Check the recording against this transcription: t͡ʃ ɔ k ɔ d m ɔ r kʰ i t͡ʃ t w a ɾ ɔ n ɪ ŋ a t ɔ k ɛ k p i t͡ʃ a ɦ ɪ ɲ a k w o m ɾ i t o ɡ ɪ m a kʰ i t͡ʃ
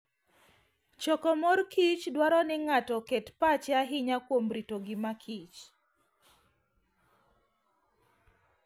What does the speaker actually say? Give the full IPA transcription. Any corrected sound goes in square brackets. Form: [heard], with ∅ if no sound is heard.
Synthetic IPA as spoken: t͡ʃ ɔ k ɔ [∅] m ɔ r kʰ i t͡ʃ [d] w a ɾ ɔ n ɪ ŋ a t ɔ k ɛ [t] p [a] t͡ʃ a ɦ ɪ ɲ a k w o m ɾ i t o ɡ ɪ m a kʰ i t͡ʃ